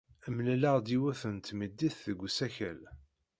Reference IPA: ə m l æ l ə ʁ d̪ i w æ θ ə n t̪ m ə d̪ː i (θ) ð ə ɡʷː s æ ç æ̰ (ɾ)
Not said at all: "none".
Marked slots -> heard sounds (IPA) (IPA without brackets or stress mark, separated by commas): θ, l